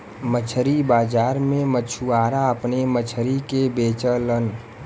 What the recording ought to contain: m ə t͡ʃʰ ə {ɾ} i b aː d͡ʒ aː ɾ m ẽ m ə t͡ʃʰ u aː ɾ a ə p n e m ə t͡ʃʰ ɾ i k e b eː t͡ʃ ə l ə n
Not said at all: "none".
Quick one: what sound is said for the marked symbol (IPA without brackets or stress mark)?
ɾ